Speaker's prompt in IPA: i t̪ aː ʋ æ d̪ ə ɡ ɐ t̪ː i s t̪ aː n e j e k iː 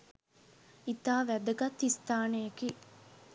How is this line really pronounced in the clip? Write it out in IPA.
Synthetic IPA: i t̪ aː ʋ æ d̪ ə ɡ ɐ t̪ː i s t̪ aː n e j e k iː